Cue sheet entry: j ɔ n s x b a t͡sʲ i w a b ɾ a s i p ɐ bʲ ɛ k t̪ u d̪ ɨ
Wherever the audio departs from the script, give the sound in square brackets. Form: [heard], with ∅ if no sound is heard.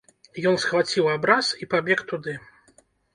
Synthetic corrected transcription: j ɔ n s x [v] a t͡sʲ i w a b ɾ a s i p [a] bʲ ɛ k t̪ u d̪ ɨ